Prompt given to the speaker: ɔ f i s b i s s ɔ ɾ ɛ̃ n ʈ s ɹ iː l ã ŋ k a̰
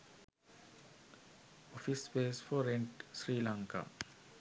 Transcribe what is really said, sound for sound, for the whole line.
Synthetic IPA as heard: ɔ f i s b e s f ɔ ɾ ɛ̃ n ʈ s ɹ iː l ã ŋ k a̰

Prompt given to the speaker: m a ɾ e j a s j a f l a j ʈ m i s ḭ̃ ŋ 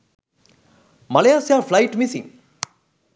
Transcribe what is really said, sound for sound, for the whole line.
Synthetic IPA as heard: m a l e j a s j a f l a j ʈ m i s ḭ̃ ŋ

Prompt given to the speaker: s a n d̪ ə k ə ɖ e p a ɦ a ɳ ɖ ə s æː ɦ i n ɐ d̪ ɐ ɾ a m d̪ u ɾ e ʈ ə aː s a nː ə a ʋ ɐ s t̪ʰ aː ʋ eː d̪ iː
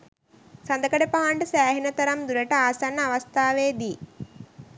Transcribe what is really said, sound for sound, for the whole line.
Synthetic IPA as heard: s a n d̪ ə k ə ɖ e p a ɦ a ɳ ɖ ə s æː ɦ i n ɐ t̪ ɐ ɾ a m d̪ u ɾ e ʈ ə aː s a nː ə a ʋ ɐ s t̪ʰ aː ʋ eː d̪ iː

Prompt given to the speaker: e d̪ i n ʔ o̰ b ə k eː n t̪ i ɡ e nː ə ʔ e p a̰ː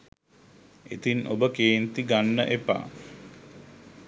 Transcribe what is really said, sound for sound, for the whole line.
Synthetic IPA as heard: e t̪ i n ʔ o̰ b ə k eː n t̪ i ɡ a nː ə ʔ e p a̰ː

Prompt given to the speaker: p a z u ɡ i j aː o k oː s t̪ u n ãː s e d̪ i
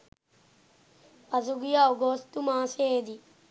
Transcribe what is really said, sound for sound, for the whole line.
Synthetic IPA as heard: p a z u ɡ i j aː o ɡ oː s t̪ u m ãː s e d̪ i

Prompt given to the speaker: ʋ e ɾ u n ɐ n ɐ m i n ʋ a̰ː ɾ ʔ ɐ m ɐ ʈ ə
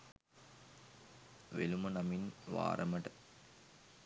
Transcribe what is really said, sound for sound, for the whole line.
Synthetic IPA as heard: ʋ e l u m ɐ n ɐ m i n ʋ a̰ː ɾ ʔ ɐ m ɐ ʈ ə

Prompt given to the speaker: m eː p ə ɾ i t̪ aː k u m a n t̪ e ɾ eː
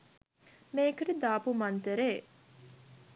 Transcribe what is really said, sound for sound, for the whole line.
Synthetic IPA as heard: m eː k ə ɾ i d̪ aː p u m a n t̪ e ɾ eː

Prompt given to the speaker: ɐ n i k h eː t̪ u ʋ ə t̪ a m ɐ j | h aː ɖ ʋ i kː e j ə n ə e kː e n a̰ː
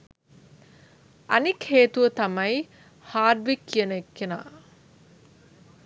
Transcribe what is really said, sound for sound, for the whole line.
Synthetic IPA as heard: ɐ n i k h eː t̪ u ʋ ə t̪ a m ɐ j | h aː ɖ ʋ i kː i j ə n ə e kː e n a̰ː

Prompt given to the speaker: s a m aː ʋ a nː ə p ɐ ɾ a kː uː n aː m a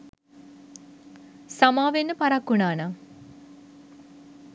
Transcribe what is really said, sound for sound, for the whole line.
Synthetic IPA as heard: s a m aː ʋ e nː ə p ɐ ɾ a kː u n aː n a

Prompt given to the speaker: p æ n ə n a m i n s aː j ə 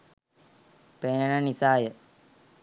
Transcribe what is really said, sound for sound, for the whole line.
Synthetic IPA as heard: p e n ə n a n i s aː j ə

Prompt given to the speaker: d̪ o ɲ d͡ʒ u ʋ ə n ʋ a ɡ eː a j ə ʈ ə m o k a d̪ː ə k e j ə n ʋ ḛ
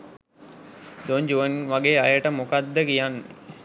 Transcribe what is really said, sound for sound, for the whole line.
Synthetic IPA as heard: d̪ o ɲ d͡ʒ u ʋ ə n ʋ a ɡ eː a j ə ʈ ə m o k a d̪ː ə k i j a n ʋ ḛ

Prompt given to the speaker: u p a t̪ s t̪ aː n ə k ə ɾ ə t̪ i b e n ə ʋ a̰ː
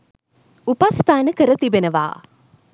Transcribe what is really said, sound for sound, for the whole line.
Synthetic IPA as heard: u p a s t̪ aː n ə k ə ɾ ə t̪ i b e n ə ʋ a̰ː

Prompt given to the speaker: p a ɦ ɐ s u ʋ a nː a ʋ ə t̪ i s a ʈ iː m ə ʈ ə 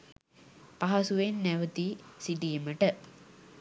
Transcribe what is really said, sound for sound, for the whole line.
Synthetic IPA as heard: p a ɦ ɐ s u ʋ e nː æ ʋ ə t̪ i s i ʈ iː m ə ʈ ə

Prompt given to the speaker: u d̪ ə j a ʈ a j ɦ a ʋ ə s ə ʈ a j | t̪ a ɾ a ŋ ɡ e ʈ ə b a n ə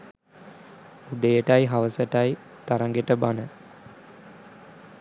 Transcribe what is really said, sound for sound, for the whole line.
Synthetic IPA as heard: u d̪ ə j ə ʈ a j ɦ a ʋ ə s ə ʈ a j | t̪ a ɾ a ŋ ɡ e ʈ ə b a n ə

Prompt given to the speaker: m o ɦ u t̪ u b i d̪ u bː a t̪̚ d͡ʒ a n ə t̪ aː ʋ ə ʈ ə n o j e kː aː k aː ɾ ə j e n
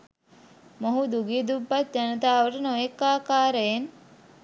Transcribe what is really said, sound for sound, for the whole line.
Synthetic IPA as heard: m o ɦ u d̪ u ɡ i d̪ u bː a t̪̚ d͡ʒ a n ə t̪ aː ʋ ə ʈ ə n o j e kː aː k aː ɾ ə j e n

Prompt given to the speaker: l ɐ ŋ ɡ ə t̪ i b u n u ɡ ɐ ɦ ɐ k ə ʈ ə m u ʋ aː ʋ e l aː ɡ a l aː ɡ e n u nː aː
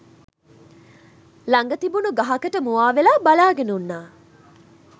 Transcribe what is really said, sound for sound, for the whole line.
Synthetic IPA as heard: l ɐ ŋ ɡ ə t̪ i b u n u ɡ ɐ ɦ ɐ k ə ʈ ə m u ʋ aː ʋ e l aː b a l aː ɡ e n u nː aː

